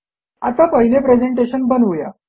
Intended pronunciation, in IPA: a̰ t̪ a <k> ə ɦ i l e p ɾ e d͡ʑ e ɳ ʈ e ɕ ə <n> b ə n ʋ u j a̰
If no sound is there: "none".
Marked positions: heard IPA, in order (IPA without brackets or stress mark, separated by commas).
p, n